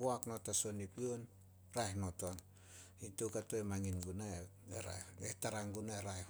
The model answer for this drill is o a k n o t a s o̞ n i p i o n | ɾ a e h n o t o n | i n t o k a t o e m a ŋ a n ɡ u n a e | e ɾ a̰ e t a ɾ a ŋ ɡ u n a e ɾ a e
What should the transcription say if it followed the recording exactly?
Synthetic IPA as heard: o a k n o t a s o̞ n i p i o n | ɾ a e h n o t o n | i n t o k a t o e m a ŋ i n ɡ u n a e | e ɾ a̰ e t a ɾ a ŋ ɡ u n a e ɾ a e

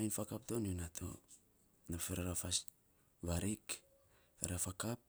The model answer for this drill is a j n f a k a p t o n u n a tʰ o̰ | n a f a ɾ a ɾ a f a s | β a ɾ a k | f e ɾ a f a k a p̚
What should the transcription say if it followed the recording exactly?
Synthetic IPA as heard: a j n f a k a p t o n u n a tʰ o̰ | n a f e ɾ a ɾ a f a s | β a ɾ i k | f e ɾ a f a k a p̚

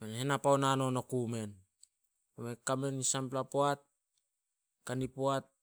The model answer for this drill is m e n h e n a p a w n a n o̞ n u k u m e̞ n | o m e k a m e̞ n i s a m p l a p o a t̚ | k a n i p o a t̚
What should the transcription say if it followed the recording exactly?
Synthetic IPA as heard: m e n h e n a p a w n a n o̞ n o k u m e̞ n | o m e k a m e̞ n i s a m p l a p o a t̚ | k a n i p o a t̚

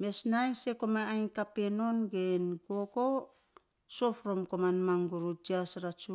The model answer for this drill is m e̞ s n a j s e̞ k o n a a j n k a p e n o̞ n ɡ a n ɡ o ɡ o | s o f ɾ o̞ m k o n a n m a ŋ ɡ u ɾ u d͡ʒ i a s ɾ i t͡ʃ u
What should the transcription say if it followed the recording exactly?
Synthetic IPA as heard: m e̞ s n a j s e̞ k o m a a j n k a p e n o̞ n ɡ e n ɡ o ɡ o | s o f ɾ o̞ m k o m a n m a ŋ ɡ u ɾ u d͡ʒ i a s ɾ a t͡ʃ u

